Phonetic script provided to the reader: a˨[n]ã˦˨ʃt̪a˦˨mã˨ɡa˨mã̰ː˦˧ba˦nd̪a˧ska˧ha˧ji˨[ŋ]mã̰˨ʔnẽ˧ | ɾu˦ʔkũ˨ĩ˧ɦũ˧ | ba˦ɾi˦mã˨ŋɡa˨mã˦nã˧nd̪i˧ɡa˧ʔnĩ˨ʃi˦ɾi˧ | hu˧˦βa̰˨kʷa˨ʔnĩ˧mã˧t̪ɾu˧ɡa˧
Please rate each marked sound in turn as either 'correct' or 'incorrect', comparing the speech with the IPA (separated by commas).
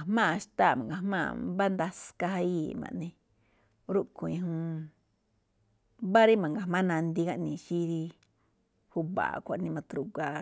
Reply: incorrect, incorrect